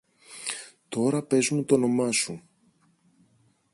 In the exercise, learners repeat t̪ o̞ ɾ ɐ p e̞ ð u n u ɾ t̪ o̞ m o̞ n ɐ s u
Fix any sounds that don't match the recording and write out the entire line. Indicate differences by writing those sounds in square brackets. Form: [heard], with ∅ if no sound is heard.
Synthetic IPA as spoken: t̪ o̞ ɾ ɐ p e̞ [z] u [m] u [∅] t̪ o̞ [n] o̞ [m] ɐ s u

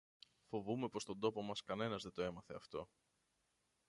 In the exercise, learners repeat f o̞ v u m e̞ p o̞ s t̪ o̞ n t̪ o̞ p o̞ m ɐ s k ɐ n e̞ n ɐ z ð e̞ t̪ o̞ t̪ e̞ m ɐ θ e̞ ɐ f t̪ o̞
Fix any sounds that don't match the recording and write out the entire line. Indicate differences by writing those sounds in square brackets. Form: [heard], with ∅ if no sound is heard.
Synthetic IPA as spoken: f o̞ v u m e̞ p o̞ s t̪ o̞ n [d̪] o̞ p o̞ m ɐ s k ɐ n e̞ n ɐ z ð e̞ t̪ o̞ [∅] e̞ m ɐ θ e̞ ɐ f t̪ o̞

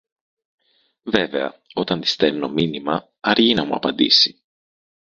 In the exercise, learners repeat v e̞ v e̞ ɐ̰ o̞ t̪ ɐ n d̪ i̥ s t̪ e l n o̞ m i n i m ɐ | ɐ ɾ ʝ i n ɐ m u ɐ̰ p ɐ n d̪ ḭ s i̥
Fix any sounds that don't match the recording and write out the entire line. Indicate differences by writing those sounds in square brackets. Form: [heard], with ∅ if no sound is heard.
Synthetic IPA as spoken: v e̞ v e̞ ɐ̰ o̞ t̪ ɐ n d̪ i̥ s t̪ e l n o̞ m i n i m ɐ | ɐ ɾ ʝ i n ɐ m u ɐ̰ p ɐ n d̪ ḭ s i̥

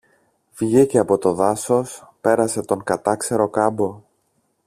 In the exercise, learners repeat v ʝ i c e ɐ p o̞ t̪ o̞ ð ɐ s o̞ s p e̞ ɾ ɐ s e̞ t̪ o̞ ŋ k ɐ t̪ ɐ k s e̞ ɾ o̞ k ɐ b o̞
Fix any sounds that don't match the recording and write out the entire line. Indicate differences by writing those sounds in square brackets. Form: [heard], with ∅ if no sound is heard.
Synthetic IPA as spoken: v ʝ i c e ɐ p o̞ t̪ o̞ ð ɐ s o̞ s p e̞ ɾ ɐ s e̞ t̪ o̞ ŋ k ɐ t̪ ɐ k s e̞ ɾ o̞ k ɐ b o̞

